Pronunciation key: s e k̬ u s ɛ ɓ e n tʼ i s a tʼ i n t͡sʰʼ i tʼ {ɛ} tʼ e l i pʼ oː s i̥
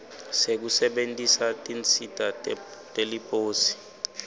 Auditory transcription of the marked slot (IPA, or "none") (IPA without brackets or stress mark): a